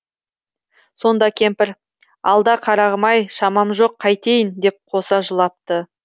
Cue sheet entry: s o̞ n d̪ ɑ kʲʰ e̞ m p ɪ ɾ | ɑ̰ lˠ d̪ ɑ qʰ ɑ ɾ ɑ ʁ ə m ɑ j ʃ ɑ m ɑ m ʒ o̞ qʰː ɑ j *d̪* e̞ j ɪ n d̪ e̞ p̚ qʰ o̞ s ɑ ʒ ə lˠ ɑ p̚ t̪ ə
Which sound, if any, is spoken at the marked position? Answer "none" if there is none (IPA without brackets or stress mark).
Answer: t̪